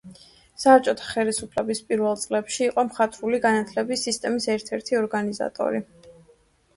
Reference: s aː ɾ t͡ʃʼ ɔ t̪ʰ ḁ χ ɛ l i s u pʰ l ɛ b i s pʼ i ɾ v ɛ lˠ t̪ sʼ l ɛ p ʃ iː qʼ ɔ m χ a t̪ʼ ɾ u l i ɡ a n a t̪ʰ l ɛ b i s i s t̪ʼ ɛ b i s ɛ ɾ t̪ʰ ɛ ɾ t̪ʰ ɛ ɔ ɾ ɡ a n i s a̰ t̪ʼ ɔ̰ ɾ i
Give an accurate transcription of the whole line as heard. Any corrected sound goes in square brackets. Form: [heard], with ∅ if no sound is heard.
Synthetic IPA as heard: s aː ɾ t͡ʃʼ ɔ t̪ʰ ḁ χ ɛ l i s u pʰ l ɛ b i s pʼ i ɾ v ɛ lˠ t̪ sʼ l ɛ p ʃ iː qʼ ɔ m χ a t̪ʼ ɾ u l i ɡ a n a t̪ʰ l ɛ b i s i s t̪ʼ ɛ [m] i s ɛ ɾ t̪ʰ ɛ ɾ t̪ʰ [i] ɔ ɾ ɡ a n i [z] a̰ t̪ʼ ɔ̰ ɾ i